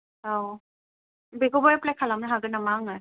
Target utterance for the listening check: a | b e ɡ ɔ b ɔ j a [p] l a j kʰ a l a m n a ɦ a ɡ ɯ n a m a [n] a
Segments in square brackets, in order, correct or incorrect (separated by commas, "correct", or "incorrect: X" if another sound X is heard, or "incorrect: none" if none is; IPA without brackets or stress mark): correct, incorrect: ŋ